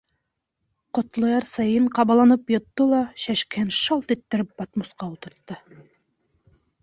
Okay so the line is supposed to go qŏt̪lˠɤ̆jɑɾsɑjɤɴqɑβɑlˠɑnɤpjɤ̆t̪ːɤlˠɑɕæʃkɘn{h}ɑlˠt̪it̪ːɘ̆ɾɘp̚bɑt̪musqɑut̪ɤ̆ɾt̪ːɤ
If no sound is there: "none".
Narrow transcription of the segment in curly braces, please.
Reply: ʃ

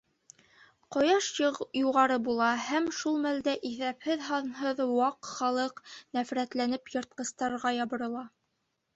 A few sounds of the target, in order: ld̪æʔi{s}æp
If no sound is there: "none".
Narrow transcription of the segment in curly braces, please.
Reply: θ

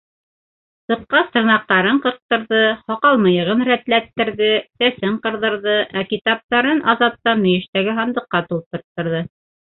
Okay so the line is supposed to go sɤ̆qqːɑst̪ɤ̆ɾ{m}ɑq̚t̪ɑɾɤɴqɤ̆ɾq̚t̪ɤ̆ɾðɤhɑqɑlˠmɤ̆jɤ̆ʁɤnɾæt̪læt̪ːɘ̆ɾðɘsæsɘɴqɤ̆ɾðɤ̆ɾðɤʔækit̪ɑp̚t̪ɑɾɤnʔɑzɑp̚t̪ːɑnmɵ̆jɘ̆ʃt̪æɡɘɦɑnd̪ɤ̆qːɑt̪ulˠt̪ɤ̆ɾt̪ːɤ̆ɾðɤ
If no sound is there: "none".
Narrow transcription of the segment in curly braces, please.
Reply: n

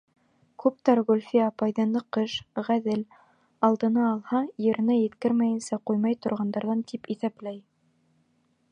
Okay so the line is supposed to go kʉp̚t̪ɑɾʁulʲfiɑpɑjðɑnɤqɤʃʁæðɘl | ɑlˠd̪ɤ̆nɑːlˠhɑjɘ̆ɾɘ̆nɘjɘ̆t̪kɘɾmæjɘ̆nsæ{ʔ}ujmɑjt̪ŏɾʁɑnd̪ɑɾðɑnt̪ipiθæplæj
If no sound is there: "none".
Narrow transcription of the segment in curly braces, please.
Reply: q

